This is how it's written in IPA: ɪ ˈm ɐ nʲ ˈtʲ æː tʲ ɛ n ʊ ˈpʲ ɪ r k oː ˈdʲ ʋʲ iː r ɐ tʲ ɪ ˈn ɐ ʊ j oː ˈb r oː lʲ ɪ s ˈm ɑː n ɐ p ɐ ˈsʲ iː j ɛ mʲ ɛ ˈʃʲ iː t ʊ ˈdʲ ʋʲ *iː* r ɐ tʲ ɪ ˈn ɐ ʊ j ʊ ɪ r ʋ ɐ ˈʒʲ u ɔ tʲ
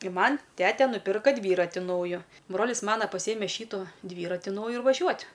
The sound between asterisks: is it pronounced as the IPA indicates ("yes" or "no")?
yes